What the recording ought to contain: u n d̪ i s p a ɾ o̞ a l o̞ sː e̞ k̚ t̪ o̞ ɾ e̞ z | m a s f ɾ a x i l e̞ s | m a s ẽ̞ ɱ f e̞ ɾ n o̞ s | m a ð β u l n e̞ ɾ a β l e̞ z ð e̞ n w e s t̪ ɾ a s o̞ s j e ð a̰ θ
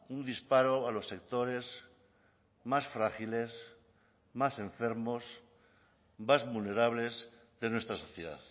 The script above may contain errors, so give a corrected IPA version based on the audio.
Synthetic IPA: u n d̪ i s p a ɾ o̞ a l o̞ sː e̞ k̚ t̪ o̞ ɾ e̞ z | m a s f ɾ a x i l e̞ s | m a s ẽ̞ ɱ f e̞ ɾ m o̞ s | m a z β u l n e̞ ɾ a β l e̞ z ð e̞ n w e s t̪ ɾ a s o̞ θ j e ð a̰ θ

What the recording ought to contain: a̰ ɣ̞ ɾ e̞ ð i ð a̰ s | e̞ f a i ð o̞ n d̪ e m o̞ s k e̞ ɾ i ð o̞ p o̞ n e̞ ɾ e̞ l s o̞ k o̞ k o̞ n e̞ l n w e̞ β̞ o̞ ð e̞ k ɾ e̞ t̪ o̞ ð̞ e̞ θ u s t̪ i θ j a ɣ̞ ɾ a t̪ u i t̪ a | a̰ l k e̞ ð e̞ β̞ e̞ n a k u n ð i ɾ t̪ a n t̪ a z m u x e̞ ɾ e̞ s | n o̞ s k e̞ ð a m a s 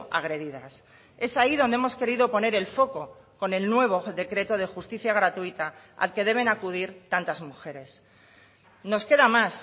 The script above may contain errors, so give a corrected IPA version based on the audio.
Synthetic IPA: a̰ ɣ̞ ɾ e̞ ð i ð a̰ s | e̞ s a i ð o̞ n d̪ e m o̞ s k e̞ ɾ i ð o̞ p o̞ n e̞ ɾ e̞ l f o̞ k o̞ k o̞ n e̞ l n w e̞ β̞ o̞ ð e̞ k ɾ e̞ t̪ o̞ ð̞ e̞ x u s t̪ i θ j a ɣ̞ ɾ a t̪ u i t̪ a | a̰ l k e̞ ð e̞ β̞ e̞ n a k u ð i ɾ t̪ a n t̪ a z m u x e̞ ɾ e̞ s | n o̞ s k e̞ ð a m a s

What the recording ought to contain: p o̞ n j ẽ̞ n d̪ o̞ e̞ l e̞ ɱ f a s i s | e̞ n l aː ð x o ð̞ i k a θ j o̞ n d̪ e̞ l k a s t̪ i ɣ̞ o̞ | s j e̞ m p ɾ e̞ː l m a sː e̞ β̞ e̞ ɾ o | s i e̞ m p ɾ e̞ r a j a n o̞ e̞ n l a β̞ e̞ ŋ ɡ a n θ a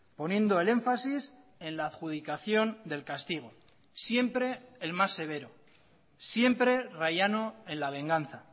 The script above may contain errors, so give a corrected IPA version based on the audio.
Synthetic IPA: p o̞ n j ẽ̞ n d̪ o̞ e̞ l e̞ ɱ f a s i s | e̞ n l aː ð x u ð̞ i k a θ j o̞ n d̪ e̞ l k a s t̪ i ɣ̞ o̞ | s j e̞ m p ɾ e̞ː l m a sː e̞ β̞ e̞ ɾ o | s j e̞ m p ɾ e̞ r a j a n o̞ e̞ n l a β̞ e̞ ŋ ɡ a n θ a

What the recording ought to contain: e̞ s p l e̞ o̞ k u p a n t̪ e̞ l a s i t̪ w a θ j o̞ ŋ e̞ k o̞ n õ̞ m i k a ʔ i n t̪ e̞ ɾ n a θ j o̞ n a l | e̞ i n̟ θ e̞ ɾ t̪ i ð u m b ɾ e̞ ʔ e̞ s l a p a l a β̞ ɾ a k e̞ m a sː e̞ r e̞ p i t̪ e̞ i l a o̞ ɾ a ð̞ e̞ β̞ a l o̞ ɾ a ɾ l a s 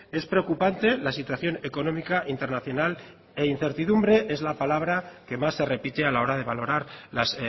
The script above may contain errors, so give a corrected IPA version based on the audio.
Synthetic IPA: e̞ s p ɾ e̞ o̞ k u p a n t̪ e̞ l a s i t̪ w a θ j o̞ n e̞ k o̞ n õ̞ m i k a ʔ i n t̪ e̞ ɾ n a θ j o̞ n a l | e̞ i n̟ θ e̞ ɾ t̪ i ð u m b ɾ e̞ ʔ e̞ z l a p a l a β̞ ɾ a k e̞ m a sː e̞ r e̞ p i t̪ e̞ a l a o̞ ɾ a ð̞ e̞ β̞ a l o̞ ɾ a ɾ l a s

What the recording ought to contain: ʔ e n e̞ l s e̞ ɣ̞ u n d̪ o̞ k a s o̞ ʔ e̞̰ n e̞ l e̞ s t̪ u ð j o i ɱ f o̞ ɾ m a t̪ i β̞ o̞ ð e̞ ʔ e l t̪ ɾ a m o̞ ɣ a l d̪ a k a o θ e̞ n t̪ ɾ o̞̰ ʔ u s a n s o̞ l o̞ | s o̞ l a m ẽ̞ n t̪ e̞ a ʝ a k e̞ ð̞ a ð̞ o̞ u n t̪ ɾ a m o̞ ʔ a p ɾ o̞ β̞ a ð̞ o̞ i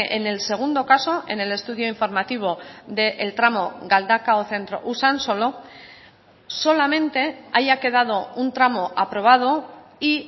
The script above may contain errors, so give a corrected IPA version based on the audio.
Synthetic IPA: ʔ e n e̞ l s e̞ ɣ̞ u n d̪ o̞ k a s o̞ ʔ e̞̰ n e̞ l e̞ s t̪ u ð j o i ɱ f o̞ ɾ m a t̪ i β̞ o̞ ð e̞ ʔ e l t̪ ɾ a m o̞ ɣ a l d̪ a k a o θ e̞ n t̪ ɾ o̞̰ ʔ u s a n s o̞ l o̞ | s o̞ l a m ẽ̞ n t̪ e̞ a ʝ a k e̞ ð̞ a ð̞ o̞ u n t̪ ɾ a m o̞ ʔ a p ɾ o̞ β̞ a ð̞ o̞ i

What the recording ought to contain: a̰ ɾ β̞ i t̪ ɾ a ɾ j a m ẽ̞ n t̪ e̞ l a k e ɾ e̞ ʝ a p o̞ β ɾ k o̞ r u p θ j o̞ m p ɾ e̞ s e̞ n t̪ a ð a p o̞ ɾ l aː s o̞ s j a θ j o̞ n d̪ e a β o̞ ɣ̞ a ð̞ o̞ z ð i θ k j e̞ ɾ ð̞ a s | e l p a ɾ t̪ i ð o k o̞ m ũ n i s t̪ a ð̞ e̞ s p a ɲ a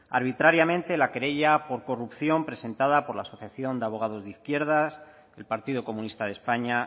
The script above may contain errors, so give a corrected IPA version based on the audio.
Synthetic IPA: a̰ ɾ β̞ i t̪ ɾ a ɾ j a m ẽ̞ n t̪ e̞ l a k e ɾ e̞ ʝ a p o̞ ɾ k o̞ r u p θ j o̞ m p ɾ e̞ s e̞ n t̪ a ð a p o̞ ɾ l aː s o̞ θ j a θ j o̞ n d̪ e a β o̞ ɣ̞ a ð̞ o̞ z ð i θ k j e̞ ɾ ð̞ a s | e l p a ɾ t̪ i ð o k o̞ m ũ n i s t̪ a ð̞ e̞ s p a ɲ a

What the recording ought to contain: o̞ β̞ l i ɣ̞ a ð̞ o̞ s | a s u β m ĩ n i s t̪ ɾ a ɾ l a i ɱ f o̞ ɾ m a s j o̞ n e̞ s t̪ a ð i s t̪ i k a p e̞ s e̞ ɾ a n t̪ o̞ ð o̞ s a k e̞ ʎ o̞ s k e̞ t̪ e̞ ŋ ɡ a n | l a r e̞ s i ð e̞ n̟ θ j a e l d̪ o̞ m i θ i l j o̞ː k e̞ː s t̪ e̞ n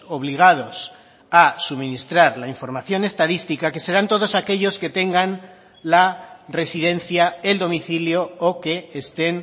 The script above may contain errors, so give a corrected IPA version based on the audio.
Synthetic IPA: o̞ β̞ l i ɣ̞ a ð̞ o̞ s | a s u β m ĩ n i s t̪ ɾ a ɾ l a i ɱ f o̞ ɾ m a θ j o̞ n e̞ s t̪ a ð i s t̪ i k a k e̞ s e̞ ɾ a n t̪ o̞ ð o̞ s a k e̞ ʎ o̞ s k e̞ t̪ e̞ ŋ ɡ a n | l a r e̞ s i ð e̞ n̟ θ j a e l d̪ o̞ m i θ i l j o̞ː k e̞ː s t̪ e̞ n

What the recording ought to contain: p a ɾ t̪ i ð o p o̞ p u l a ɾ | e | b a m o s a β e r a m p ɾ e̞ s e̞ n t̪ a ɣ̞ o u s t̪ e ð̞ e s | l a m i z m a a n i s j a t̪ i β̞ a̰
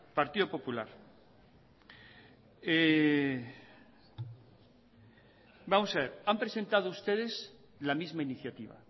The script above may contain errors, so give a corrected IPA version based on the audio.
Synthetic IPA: p a ɾ t̪ i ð o p o̞ p u l a ɾ | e | b a m o s a β e ɾ a m p ɾ e̞ s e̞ n t̪ a ð̞ o u s t̪ e ð̞ e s | l a m i z m a i n i θ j a t̪ i β̞ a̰

